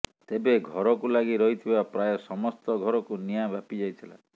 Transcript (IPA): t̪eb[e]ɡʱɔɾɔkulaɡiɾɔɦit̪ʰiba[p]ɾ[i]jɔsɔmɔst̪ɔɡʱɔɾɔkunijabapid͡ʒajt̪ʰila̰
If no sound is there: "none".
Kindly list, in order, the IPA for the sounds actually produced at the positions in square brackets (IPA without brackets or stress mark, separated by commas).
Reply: e, p, a